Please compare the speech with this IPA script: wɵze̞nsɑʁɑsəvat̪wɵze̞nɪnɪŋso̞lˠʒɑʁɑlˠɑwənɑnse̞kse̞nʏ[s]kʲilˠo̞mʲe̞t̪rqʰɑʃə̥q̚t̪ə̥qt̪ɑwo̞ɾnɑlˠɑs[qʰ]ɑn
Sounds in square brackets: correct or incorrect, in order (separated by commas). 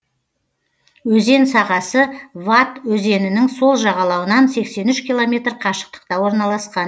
incorrect, incorrect